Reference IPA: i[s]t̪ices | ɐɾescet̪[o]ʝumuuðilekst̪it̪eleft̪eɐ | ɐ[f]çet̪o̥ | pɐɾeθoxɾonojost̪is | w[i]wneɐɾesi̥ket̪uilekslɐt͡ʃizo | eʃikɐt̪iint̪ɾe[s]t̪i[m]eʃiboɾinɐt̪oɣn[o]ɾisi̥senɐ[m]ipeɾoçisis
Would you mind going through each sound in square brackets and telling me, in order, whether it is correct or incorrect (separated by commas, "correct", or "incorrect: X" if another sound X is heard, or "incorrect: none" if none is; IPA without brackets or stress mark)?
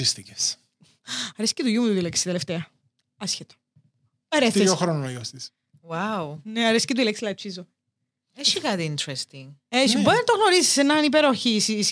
correct, incorrect: u, incorrect: s, incorrect: a, correct, incorrect: ŋ, correct, incorrect: n